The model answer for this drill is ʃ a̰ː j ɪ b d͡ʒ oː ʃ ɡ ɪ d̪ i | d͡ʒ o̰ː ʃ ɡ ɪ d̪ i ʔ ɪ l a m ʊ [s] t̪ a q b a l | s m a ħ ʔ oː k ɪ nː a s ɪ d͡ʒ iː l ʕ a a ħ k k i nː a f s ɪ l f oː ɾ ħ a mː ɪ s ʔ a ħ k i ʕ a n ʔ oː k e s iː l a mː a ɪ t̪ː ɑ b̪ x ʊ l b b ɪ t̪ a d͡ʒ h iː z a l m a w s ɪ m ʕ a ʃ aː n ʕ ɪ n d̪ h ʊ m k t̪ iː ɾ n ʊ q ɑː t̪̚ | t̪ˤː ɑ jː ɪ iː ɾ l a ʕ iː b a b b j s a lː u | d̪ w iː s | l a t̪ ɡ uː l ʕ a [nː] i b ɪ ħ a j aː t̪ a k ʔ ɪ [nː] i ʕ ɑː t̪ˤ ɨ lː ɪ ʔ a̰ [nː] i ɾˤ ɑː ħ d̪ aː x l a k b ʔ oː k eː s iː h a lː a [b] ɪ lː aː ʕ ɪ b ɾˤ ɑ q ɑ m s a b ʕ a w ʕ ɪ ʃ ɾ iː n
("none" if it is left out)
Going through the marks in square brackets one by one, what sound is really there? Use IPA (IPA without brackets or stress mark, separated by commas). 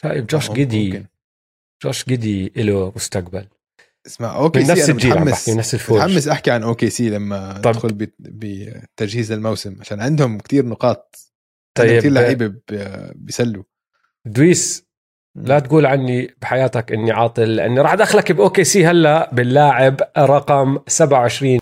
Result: s, nː, nː, nː, b